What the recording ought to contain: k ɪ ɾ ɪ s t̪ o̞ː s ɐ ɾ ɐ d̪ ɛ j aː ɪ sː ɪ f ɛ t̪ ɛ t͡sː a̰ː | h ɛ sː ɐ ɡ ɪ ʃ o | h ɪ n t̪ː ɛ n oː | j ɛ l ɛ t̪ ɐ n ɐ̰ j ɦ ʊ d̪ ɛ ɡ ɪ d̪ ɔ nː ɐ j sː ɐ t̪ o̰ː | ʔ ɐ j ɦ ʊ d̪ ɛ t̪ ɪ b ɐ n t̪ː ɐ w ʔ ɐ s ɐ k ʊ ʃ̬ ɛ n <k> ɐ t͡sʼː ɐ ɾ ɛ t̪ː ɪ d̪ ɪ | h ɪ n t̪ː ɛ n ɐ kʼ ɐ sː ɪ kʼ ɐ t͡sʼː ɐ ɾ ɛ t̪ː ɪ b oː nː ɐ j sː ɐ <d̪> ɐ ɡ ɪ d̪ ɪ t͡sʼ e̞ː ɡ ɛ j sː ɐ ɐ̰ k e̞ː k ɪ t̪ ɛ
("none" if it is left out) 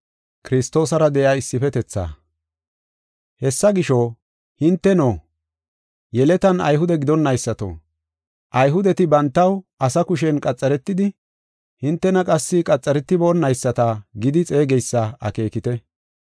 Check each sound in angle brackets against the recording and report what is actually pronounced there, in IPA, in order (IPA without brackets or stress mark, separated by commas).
kʼ, t̪